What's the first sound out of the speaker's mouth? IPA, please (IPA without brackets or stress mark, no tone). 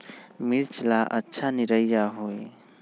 m